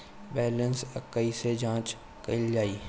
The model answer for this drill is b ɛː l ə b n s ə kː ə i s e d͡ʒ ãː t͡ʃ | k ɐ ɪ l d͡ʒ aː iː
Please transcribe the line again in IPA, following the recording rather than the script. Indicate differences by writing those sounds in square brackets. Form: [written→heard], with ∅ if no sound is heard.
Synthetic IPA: b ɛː l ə [b→∅] n s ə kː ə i s e d͡ʒ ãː t͡ʃ | k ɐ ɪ l d͡ʒ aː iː